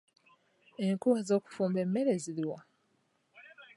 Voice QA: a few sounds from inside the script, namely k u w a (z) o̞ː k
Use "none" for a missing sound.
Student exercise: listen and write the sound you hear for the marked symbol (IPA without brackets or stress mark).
z